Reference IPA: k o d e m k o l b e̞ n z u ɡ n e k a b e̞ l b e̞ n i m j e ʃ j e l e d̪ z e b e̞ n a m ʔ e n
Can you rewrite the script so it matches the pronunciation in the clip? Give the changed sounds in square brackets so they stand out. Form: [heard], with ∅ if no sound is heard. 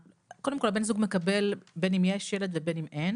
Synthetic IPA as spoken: k o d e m k o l b e̞ n z u ɡ [m] e k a b e̞ l b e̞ n i m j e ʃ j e l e d̪ [v] e b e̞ n [i] m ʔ e n